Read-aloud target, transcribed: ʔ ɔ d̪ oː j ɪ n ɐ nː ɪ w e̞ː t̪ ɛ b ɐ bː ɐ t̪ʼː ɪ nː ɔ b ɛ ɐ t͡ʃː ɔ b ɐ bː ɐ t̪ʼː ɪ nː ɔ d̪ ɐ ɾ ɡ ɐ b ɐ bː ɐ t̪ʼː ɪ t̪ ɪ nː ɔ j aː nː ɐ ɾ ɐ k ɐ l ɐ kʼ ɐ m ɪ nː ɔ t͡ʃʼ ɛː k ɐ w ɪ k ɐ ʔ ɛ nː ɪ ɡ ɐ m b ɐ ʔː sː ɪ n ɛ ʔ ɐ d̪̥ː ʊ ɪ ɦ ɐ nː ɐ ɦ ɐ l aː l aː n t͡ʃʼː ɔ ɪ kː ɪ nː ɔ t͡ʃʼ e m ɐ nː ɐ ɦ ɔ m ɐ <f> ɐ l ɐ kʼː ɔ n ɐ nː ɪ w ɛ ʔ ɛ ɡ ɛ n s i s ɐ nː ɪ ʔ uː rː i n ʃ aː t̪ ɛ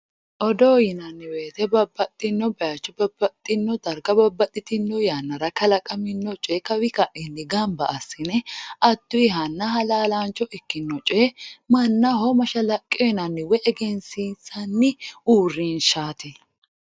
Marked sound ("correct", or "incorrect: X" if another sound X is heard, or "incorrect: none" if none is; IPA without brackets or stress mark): incorrect: ʃ